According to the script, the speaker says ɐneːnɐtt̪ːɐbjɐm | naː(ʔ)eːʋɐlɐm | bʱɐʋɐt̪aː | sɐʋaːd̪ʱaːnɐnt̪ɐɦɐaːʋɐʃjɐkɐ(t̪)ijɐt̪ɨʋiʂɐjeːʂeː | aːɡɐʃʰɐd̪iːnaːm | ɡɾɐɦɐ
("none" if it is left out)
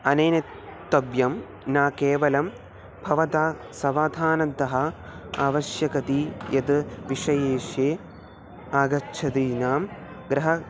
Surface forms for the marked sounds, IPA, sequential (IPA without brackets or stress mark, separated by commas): k, t̪